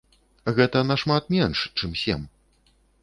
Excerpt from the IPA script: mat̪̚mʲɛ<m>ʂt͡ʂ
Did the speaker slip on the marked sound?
yes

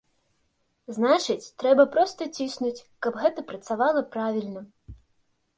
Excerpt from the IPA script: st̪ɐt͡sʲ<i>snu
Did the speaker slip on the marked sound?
no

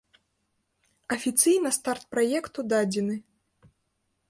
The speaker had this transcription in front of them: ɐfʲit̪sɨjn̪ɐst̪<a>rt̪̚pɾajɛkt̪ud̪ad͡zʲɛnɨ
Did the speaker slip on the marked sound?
no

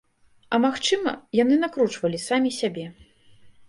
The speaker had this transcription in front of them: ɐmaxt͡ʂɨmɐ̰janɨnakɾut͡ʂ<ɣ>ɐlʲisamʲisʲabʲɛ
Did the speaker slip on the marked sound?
yes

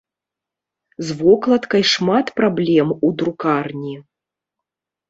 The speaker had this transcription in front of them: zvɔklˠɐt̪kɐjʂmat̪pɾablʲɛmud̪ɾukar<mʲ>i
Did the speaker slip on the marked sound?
yes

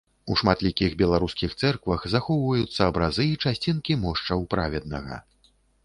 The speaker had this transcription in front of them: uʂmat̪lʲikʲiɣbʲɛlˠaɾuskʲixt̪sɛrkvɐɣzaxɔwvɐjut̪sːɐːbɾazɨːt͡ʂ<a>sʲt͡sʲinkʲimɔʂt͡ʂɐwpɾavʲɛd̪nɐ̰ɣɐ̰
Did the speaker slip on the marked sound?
no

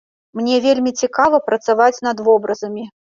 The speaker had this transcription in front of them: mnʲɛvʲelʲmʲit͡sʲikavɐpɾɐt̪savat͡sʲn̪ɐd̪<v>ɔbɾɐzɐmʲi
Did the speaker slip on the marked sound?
no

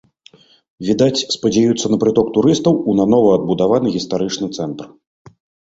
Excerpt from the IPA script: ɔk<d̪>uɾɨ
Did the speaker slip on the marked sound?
yes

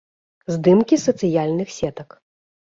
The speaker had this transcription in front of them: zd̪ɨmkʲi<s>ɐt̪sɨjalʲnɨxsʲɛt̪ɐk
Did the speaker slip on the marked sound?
no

